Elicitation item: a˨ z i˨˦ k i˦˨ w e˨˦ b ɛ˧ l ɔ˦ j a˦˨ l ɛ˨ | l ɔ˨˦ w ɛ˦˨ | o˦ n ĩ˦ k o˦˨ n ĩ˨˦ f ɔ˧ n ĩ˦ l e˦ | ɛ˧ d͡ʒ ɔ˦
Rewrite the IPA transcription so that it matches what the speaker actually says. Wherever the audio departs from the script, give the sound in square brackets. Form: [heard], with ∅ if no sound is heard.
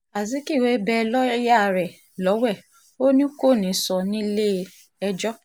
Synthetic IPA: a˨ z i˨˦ k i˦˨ w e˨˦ b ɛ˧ l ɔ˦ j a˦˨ [ɾ] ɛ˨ | l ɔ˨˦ w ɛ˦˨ | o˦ n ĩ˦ k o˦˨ n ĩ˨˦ [s] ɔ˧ n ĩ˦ l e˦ | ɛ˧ d͡ʒ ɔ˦